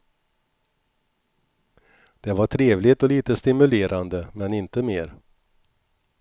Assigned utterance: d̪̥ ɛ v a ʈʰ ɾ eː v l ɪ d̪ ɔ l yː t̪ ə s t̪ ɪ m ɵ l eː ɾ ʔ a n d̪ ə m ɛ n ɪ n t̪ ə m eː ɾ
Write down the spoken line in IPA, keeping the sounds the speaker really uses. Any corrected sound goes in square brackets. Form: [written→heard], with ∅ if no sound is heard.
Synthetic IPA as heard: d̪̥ ɛ v a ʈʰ ɾ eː v l ɪ [d̪→t̪] ɔ l [yː→iː] t̪ ə s t̪ ɪ m ɵ l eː ɾ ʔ a n d̪ ə m ɛ n ɪ n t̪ ə m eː ɾ